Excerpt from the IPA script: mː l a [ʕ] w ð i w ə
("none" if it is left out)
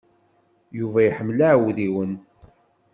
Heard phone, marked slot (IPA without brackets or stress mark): ʕ